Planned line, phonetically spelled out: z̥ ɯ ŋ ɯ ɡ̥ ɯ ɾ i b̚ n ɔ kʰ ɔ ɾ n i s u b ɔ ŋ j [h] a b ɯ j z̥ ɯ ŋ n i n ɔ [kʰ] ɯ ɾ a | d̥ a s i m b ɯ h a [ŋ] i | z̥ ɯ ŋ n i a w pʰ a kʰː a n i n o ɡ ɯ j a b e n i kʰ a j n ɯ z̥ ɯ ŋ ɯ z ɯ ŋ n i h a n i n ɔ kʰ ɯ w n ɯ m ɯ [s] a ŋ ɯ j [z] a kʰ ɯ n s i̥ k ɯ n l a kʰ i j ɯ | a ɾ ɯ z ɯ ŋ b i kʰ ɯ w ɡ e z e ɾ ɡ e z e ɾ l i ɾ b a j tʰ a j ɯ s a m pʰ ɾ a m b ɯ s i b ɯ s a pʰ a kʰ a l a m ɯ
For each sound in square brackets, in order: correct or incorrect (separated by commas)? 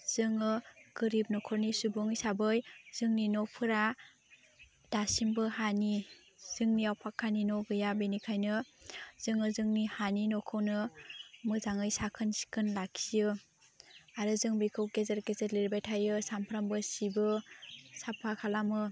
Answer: incorrect, incorrect, incorrect, incorrect, incorrect